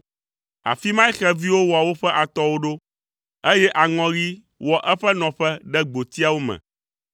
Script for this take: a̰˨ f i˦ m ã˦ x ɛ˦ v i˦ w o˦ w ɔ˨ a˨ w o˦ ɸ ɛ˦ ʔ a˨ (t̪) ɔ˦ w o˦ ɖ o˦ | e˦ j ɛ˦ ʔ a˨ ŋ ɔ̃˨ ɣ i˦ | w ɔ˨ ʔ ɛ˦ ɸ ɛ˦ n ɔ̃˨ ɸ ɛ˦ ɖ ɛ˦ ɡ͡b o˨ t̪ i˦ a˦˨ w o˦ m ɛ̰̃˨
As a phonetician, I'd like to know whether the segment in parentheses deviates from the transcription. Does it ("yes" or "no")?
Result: no